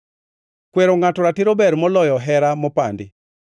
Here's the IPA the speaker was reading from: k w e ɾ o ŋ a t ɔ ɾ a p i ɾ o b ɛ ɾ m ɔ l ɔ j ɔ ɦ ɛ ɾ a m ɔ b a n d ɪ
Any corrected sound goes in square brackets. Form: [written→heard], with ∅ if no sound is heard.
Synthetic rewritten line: k w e ɾ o ŋ a t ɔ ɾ a [p→t] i ɾ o b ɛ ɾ m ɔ l ɔ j ɔ ɦ ɛ ɾ a m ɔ [b→p] a n d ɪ